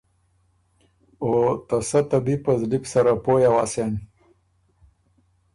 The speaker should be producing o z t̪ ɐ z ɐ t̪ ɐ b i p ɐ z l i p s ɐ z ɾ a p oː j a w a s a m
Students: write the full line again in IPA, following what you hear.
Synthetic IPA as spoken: o t̪ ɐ s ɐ t̪ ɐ b i p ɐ z l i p s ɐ ɾ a p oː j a w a s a n